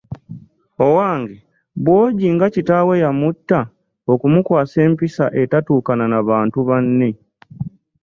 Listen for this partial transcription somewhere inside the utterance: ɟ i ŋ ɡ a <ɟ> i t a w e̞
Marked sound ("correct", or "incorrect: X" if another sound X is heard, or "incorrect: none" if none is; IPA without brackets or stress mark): incorrect: c